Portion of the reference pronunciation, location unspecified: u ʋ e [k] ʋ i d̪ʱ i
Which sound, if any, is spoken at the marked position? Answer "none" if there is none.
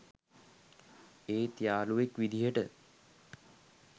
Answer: k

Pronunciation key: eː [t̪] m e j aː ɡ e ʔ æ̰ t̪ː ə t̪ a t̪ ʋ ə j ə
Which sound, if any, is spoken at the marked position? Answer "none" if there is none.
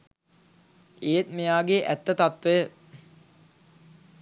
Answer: t̪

